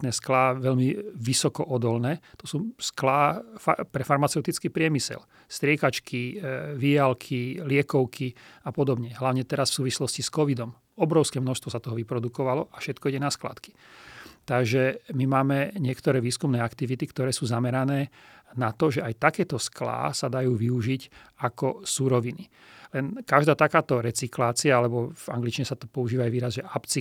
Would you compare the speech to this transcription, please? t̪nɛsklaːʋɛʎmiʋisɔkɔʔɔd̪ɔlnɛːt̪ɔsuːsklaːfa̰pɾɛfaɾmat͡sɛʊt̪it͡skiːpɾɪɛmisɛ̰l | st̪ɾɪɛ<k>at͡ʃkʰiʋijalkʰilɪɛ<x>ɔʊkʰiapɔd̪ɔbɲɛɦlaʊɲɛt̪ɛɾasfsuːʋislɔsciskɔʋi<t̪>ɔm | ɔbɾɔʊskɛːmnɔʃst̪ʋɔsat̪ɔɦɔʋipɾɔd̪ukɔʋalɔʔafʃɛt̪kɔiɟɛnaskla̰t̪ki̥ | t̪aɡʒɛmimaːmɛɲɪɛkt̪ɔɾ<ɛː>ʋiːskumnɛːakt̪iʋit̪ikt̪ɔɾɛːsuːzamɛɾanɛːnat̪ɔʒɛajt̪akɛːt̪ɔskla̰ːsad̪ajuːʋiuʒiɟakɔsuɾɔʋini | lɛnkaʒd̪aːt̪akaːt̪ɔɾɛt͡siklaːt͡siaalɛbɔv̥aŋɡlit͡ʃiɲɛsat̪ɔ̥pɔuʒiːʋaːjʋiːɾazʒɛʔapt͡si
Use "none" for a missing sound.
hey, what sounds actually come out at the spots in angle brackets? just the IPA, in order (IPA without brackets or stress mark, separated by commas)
k, k, d̪, ɛː